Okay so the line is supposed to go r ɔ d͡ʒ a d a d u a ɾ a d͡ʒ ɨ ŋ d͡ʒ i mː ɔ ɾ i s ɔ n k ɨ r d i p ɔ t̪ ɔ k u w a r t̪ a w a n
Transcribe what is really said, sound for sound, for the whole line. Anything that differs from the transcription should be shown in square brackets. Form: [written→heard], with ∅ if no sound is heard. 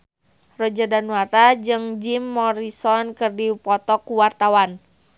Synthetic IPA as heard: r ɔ d͡ʒ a d a [d→n] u a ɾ a d͡ʒ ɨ ŋ d͡ʒ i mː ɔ ɾ i s ɔ n k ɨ r d i p ɔ t̪ ɔ k u w a r t̪ a w a n